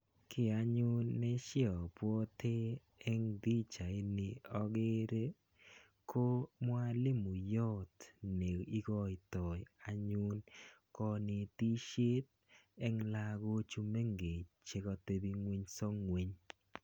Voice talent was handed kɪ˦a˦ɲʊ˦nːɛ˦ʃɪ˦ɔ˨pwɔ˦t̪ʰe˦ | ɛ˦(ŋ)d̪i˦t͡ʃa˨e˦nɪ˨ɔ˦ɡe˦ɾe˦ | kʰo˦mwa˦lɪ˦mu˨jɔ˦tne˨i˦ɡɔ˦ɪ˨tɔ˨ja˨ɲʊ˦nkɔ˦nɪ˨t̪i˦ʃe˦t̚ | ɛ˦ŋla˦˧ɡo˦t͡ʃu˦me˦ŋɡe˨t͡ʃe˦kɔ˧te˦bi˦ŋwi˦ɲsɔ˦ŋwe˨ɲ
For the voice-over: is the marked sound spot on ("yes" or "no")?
yes